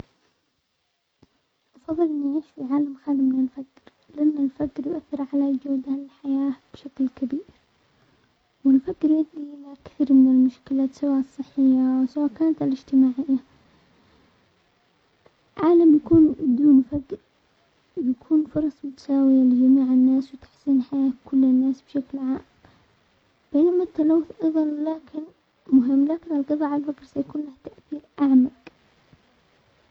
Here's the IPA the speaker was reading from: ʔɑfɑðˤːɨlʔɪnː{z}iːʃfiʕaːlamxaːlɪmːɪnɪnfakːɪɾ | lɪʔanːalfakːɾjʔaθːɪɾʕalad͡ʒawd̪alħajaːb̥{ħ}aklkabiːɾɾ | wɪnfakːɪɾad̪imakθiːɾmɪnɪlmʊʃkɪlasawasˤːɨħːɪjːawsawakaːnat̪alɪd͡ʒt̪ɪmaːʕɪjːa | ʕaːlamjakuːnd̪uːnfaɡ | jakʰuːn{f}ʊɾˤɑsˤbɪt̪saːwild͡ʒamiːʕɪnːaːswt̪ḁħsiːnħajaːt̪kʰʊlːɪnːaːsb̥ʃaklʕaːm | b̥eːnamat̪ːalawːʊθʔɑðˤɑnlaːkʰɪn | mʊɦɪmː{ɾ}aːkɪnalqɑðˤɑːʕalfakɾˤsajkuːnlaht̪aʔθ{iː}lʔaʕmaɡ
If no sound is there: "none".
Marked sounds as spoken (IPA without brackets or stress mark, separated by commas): ʕ, ʃ, f, l, iː